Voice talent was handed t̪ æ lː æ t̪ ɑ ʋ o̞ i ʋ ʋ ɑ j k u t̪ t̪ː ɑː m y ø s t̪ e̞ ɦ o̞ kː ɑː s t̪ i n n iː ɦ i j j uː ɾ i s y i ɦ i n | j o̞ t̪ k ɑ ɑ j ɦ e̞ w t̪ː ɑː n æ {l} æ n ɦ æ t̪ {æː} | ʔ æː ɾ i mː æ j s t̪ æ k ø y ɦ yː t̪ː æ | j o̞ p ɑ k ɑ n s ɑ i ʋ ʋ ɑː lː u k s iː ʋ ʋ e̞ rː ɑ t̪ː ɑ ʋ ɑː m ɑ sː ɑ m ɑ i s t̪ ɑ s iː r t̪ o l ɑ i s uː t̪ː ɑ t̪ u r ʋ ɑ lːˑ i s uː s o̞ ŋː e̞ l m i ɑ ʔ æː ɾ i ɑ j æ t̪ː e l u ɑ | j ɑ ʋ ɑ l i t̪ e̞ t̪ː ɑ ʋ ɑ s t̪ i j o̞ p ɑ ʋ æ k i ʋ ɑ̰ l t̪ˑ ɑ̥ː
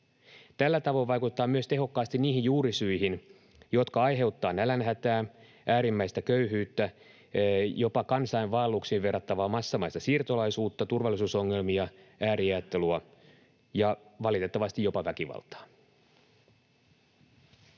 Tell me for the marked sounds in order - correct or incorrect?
correct, correct

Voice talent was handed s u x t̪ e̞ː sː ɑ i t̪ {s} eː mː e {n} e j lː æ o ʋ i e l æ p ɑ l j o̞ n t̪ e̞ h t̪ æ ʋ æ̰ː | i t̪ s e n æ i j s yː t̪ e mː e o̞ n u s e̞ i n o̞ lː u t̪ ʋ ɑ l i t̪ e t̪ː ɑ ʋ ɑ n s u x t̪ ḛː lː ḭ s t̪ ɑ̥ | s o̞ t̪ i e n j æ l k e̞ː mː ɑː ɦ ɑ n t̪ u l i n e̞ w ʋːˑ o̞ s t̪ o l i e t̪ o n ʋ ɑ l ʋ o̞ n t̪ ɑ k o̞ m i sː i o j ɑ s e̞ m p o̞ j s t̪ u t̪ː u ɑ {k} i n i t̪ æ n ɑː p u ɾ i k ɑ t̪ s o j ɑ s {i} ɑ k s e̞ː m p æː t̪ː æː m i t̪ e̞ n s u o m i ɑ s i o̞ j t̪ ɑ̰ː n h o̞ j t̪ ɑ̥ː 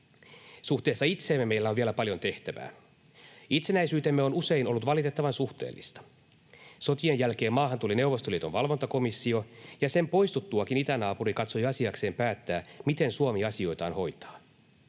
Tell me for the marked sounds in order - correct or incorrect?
correct, incorrect: m, correct, correct

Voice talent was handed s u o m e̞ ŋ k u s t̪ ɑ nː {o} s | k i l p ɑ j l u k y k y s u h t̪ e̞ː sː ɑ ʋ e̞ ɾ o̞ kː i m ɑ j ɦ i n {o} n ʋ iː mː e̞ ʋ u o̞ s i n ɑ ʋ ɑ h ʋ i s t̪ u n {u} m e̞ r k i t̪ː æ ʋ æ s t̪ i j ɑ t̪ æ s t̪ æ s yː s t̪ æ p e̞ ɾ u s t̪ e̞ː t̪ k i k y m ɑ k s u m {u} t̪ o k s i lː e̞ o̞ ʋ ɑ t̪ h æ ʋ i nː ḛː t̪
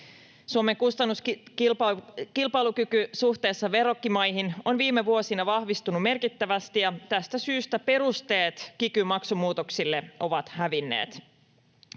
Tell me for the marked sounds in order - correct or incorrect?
incorrect: u, correct, correct, incorrect: uː

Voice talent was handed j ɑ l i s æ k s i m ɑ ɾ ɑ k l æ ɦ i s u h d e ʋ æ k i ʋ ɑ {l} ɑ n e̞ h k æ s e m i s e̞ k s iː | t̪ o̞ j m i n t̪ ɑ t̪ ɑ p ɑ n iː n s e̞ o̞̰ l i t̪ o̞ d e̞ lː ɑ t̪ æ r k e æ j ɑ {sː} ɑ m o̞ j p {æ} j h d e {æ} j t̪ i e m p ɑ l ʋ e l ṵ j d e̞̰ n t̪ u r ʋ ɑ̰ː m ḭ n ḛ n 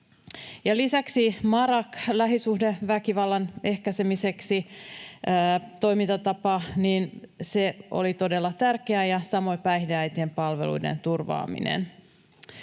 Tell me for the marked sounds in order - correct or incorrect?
incorrect: lː, incorrect: s, correct, correct

